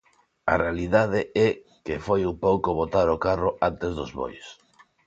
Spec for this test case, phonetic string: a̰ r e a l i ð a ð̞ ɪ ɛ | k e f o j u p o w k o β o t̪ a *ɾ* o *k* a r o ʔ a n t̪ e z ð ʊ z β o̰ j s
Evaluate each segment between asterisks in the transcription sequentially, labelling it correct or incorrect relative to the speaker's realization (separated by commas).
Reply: correct, correct